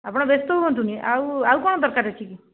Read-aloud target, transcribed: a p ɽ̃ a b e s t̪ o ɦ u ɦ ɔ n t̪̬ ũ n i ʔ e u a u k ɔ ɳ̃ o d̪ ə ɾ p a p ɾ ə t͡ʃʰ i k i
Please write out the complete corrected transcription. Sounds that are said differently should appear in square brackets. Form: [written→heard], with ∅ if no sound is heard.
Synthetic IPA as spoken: a p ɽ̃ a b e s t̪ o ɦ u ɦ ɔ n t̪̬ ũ n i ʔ [e→a] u a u k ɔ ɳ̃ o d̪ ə ɾ [p→k] a [p→∅] ɾ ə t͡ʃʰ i k i